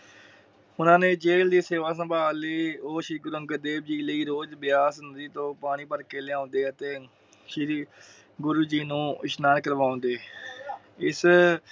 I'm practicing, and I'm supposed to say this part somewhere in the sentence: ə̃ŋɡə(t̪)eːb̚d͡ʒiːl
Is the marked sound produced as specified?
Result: no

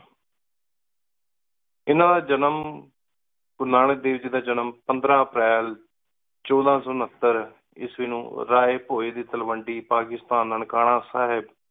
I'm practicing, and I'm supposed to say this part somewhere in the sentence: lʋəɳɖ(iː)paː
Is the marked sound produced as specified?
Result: yes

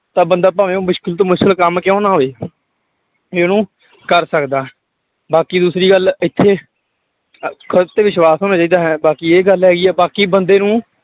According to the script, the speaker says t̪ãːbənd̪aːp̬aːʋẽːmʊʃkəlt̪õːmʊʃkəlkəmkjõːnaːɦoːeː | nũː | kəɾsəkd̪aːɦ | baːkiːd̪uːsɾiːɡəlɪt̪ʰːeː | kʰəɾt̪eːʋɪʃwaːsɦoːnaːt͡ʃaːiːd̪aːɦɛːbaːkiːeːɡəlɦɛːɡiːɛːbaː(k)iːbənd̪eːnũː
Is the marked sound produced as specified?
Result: yes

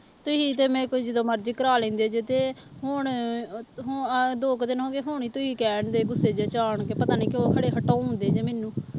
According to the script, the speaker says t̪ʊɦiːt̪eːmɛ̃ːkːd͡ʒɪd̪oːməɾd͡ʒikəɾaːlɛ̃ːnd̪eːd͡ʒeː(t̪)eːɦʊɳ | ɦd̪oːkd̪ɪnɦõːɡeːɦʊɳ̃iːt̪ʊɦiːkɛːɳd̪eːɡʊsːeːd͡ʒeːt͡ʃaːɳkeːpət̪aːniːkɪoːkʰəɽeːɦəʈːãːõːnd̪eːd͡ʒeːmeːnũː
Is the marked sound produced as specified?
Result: yes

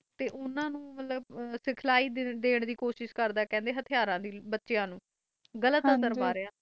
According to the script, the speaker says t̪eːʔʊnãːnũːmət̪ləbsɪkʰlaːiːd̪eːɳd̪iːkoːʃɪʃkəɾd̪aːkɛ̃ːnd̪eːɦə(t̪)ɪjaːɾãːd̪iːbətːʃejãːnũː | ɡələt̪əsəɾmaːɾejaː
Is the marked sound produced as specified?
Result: no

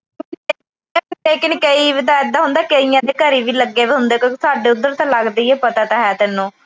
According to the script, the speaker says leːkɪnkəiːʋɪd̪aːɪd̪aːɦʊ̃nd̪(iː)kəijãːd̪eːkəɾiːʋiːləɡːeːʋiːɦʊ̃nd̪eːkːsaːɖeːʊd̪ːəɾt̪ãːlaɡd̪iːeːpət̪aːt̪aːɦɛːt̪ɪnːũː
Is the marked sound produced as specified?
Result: no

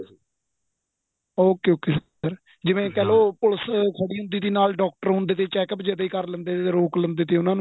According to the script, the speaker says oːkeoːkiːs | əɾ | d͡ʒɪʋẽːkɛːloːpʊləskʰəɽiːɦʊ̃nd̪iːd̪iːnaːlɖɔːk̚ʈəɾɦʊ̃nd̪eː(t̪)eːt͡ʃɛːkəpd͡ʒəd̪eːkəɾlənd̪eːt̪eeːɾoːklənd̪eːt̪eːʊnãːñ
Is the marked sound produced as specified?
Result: yes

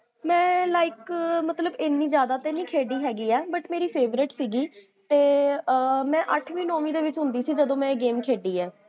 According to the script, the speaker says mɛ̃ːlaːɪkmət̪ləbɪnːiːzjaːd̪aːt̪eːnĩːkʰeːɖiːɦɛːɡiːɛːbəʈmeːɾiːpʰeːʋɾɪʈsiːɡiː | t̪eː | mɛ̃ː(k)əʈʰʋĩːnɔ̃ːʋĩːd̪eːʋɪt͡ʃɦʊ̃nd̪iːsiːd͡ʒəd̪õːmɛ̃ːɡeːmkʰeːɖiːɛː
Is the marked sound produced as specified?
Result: no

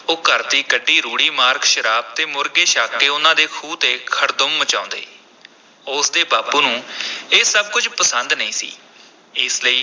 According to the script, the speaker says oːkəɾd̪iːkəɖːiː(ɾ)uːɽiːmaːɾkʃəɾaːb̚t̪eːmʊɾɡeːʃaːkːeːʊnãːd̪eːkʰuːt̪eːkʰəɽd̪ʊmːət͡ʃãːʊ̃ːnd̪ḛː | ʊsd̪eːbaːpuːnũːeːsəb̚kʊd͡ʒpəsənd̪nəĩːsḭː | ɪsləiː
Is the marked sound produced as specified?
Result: yes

